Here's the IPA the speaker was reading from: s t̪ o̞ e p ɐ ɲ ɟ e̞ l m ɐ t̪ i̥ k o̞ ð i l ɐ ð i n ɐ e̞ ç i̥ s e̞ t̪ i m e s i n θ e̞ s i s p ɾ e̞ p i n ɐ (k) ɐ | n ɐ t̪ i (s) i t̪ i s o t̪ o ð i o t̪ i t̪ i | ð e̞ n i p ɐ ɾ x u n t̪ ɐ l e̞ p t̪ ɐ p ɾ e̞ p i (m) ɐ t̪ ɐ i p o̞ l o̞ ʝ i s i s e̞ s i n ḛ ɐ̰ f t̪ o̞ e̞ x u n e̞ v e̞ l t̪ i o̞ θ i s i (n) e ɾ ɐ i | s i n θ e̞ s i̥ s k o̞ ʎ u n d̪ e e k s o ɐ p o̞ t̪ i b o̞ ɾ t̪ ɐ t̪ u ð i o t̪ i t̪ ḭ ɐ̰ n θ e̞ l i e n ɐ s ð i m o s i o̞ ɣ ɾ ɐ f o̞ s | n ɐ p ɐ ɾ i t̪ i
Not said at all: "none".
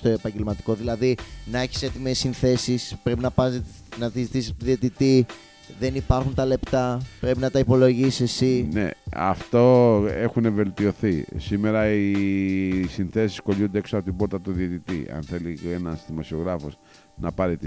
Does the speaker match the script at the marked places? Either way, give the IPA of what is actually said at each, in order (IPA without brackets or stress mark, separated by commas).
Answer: p, z, n, m